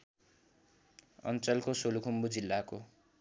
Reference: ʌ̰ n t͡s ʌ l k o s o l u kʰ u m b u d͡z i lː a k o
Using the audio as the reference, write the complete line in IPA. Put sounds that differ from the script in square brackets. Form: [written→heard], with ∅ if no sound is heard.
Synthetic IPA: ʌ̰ n t͡s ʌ l k o s o l u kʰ u m b u d͡z i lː a k o